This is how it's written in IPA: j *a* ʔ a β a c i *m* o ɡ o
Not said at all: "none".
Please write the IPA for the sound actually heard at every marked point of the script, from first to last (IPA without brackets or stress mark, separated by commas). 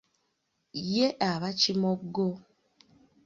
e, m